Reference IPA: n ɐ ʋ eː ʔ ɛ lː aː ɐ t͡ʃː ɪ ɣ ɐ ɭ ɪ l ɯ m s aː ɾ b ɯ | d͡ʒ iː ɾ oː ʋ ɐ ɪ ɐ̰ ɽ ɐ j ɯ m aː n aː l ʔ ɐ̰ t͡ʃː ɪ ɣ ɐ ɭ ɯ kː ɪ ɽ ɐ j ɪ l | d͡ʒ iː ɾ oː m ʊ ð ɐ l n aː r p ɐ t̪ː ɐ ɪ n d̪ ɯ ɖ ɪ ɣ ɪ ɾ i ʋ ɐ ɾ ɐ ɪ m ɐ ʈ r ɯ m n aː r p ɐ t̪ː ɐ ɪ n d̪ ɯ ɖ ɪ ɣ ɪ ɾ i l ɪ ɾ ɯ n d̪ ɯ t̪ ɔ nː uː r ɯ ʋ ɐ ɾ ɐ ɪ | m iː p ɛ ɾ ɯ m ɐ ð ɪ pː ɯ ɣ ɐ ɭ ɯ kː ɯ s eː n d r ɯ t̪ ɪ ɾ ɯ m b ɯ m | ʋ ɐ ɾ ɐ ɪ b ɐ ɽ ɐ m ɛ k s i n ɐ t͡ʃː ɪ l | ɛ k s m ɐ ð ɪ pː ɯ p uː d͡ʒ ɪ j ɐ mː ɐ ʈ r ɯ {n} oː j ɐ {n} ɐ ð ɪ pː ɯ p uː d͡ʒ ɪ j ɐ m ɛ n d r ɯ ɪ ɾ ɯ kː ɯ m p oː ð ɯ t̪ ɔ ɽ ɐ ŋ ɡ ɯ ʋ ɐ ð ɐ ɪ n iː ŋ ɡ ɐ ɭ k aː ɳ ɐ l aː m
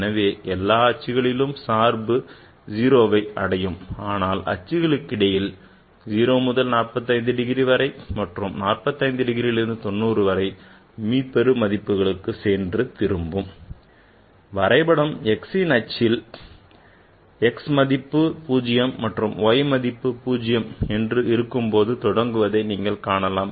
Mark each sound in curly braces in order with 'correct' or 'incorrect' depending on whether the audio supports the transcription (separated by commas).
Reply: incorrect, incorrect